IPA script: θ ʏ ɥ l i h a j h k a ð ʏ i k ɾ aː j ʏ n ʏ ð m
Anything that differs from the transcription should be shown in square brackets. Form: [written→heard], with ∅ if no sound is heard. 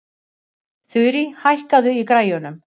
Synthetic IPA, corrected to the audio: θ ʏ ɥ [l→ɾ] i h a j h k a ð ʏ i k ɾ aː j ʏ n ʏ [ð→∅] m